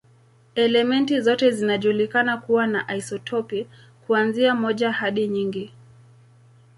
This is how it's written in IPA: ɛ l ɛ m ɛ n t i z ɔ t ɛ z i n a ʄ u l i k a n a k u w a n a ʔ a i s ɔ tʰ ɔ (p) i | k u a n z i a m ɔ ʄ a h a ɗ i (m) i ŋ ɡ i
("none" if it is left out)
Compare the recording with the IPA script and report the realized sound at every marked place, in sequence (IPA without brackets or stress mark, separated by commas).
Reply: p, ɲ